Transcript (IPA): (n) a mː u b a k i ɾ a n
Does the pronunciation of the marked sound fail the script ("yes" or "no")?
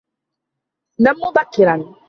no